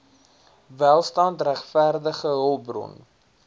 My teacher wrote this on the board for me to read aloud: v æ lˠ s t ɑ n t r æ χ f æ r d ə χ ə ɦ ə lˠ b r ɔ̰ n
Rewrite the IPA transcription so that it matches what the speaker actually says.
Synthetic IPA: v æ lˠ s t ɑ n t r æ χ f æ r d ə χ ə ɦ ə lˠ b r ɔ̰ n